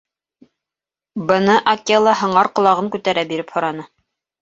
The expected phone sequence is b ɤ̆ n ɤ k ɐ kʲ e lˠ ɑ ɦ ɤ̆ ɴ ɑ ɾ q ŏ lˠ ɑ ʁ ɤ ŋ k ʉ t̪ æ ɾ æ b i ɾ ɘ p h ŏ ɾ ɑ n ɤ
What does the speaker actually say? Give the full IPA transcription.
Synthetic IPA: b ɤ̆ n ɤ ʔ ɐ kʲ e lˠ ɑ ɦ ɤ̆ ɴ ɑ ɾ q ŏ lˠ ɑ ʁ ɤ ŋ k ʉ t̪ æ ɾ æ b i ɾ ɘ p h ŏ ɾ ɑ n ɤ